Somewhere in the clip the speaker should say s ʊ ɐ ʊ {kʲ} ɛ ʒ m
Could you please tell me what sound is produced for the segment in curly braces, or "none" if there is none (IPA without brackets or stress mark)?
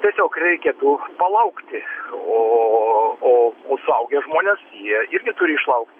ɡʲ